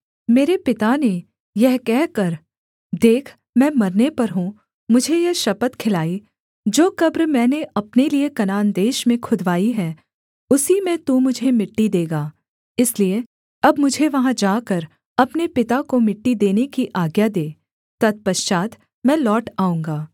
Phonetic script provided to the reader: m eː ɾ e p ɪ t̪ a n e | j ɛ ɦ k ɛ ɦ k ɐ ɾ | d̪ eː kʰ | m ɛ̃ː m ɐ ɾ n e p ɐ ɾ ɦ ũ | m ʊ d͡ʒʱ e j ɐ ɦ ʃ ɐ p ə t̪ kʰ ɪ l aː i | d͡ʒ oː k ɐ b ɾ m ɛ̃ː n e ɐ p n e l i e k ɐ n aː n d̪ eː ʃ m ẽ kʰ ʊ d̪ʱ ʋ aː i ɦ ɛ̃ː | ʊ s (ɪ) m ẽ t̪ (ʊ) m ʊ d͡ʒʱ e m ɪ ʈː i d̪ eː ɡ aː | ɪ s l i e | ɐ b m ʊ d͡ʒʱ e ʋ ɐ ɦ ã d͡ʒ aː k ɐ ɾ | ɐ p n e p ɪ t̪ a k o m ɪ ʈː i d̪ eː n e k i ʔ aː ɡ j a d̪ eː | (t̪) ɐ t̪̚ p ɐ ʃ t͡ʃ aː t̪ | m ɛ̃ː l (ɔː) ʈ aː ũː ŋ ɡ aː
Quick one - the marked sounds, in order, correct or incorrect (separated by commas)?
incorrect, incorrect, correct, correct